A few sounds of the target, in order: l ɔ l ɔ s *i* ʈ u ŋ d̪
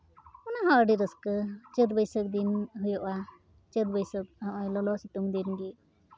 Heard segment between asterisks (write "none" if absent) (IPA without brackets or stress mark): i